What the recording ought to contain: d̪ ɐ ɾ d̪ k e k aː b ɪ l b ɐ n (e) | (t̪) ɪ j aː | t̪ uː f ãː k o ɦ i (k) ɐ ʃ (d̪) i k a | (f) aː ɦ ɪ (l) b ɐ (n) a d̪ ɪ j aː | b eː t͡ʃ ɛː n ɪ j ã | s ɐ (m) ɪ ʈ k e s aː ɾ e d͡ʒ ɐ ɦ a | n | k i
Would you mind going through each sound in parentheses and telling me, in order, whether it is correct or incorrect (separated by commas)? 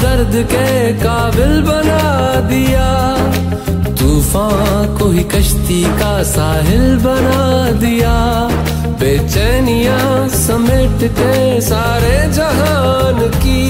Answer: incorrect, incorrect, correct, incorrect, incorrect, correct, correct, correct